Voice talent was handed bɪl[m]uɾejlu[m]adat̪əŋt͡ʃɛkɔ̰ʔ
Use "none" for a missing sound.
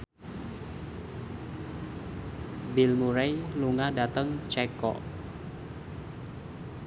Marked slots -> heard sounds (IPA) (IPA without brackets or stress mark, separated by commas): m, ŋ